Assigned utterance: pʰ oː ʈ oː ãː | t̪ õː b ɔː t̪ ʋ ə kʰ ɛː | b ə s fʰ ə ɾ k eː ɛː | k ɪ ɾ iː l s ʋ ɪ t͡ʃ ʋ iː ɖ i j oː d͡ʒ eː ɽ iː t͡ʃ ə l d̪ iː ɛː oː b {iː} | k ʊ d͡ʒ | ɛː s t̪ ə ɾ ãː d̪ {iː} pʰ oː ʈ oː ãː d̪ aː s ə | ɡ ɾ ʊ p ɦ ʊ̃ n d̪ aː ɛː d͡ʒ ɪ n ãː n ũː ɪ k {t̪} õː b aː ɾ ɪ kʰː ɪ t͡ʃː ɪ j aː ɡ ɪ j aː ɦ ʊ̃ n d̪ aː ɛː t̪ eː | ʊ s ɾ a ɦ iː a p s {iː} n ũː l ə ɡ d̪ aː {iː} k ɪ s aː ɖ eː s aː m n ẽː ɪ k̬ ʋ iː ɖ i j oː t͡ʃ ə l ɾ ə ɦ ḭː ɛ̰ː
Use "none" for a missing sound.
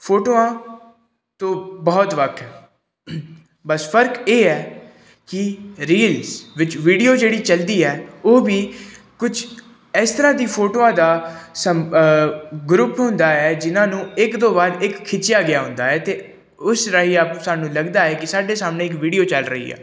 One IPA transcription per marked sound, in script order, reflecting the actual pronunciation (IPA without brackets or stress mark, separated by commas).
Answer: iː, iː, d̪, aː, ɛː